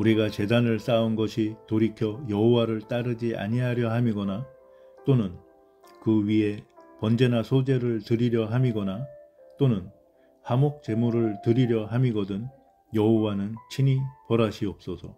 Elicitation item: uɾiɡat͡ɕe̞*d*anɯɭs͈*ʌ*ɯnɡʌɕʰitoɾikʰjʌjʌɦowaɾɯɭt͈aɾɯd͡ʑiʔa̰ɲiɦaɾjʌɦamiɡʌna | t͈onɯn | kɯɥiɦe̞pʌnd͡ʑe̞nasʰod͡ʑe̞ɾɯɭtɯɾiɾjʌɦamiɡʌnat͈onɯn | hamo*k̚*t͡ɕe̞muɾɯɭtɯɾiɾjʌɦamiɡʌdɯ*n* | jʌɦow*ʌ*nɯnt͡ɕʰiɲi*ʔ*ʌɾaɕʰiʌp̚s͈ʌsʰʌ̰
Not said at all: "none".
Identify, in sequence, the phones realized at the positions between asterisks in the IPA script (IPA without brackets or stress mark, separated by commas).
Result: d, a, k̚, n, a, p